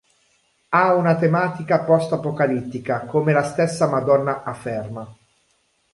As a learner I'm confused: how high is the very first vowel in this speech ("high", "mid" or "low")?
low